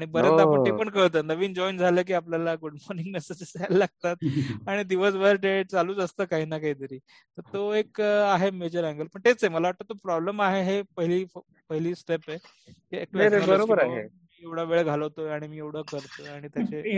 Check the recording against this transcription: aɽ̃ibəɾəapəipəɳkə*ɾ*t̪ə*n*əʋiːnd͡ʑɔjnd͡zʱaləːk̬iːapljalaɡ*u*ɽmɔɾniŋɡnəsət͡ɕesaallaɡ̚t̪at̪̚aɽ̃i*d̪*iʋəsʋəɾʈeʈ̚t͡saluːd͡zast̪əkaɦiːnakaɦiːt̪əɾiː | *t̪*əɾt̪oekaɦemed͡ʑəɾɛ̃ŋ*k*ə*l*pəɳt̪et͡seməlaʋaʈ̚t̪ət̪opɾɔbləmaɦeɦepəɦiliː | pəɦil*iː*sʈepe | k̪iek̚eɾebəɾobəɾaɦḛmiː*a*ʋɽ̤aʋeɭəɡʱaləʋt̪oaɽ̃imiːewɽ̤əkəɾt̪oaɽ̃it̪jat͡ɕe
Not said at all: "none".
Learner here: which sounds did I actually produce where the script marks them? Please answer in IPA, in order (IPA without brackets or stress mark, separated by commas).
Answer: ɭ, n, u, d̪, t̪, ɡ, l, iː, e